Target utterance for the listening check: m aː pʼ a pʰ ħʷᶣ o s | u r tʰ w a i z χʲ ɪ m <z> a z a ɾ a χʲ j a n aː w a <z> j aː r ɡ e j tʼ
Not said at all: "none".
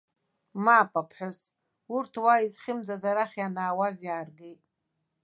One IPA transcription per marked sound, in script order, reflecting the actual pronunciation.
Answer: d͡z, z

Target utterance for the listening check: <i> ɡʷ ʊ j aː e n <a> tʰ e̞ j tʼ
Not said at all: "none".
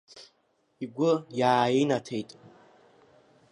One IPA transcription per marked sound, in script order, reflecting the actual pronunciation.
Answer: i, a

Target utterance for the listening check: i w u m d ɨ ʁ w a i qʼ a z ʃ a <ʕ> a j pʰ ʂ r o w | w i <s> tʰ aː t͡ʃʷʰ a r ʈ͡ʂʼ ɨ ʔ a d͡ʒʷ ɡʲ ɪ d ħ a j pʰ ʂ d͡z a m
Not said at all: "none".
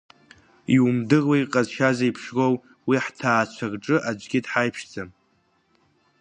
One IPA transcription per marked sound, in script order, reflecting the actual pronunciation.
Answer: z, ħ

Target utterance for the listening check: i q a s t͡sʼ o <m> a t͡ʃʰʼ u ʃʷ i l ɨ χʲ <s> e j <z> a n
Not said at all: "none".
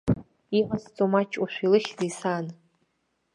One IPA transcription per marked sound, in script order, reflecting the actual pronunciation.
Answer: m, z, s

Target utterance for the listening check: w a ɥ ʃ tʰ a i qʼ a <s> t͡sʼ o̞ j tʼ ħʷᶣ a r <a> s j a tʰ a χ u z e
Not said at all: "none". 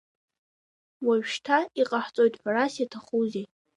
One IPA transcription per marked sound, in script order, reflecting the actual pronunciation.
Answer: ħ, a

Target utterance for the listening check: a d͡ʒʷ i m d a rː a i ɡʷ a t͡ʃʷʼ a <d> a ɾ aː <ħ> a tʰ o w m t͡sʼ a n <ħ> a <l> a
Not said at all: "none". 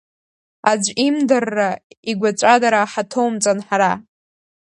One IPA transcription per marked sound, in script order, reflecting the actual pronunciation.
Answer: d, ħ, ħ, ɾ

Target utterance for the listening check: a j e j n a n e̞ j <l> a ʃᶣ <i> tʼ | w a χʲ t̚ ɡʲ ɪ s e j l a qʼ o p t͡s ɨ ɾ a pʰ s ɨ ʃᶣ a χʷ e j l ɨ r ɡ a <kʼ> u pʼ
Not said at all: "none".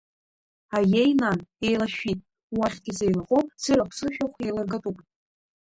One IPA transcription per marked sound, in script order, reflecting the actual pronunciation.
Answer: l, i, tʼ

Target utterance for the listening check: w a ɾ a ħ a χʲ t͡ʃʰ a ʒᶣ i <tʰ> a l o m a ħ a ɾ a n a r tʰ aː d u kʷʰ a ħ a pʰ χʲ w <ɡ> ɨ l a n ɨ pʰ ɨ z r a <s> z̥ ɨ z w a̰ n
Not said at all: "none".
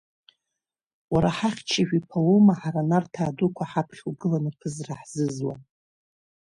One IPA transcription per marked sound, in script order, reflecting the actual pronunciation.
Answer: pʰ, ɡ, ħ

